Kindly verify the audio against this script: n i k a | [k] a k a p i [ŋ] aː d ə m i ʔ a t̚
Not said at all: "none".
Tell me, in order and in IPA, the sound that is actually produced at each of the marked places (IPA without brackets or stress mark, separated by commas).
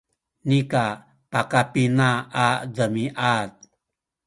p, n